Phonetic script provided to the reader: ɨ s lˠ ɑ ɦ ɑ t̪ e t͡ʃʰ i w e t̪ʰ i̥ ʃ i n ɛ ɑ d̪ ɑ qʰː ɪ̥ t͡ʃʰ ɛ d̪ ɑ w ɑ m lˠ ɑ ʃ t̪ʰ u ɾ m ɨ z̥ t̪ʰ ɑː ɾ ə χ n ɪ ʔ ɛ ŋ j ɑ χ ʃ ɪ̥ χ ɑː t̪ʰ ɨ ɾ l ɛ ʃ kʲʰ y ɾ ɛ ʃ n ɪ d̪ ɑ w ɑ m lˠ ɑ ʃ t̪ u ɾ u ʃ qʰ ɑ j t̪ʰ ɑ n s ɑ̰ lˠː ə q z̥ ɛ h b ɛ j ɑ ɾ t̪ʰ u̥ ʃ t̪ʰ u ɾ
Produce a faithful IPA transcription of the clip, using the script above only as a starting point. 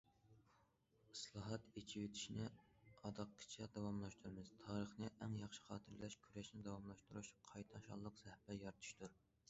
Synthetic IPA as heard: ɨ s lˠ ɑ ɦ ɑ t̪ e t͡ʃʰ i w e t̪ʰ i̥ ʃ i n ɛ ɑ d̪ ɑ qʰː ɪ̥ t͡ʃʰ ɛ d̪ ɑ w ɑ m lˠ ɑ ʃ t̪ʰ u ɾ m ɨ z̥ t̪ʰ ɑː ɾ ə χ n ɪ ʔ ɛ ŋ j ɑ χ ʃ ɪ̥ χ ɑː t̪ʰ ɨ ɾ l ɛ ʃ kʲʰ y ɾ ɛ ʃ n ɪ d̪ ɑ w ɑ m lˠ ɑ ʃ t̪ u ɾ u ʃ qʰ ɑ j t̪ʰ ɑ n ʃ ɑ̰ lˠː ə q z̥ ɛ h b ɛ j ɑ ɾ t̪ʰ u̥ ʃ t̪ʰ u ɾ